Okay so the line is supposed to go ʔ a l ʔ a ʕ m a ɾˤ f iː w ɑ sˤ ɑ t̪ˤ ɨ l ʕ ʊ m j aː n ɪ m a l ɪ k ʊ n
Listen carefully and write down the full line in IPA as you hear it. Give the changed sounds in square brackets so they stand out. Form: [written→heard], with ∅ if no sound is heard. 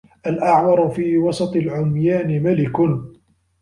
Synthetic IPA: ʔ a l ʔ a ʕ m [a→ɑ] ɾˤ f iː w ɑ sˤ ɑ t̪ˤ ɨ l ʕ ʊ m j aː n ɪ m a l ɪ k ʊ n